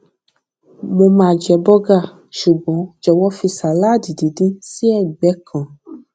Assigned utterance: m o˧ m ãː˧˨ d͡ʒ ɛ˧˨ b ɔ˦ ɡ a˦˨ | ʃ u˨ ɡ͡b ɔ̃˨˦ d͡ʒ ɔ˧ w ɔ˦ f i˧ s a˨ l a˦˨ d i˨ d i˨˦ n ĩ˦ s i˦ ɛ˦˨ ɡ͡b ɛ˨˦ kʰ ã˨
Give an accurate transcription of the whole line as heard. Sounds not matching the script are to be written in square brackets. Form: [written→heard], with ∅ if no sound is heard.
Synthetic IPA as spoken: m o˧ m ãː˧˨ d͡ʒ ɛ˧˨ b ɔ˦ ɡ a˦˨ | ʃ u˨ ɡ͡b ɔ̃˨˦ d͡ʒ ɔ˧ w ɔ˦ f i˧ s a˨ l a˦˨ d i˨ d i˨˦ [n→d] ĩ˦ s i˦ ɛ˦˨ ɡ͡b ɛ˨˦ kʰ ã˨